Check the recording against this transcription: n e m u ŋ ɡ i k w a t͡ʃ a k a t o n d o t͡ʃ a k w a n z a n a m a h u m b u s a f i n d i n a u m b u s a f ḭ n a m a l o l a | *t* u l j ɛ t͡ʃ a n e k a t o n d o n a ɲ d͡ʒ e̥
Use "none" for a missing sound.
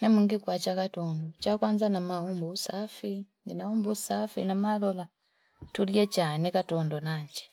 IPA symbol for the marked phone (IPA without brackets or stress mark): t